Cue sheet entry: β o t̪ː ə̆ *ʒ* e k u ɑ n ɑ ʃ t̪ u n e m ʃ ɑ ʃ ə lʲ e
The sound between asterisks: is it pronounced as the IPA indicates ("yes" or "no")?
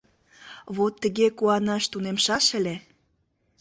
no